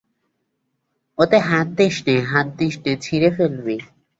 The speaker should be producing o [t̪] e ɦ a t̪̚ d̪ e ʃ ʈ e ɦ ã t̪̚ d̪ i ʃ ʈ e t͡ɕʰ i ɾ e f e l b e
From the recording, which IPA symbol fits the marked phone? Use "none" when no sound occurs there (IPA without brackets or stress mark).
t̪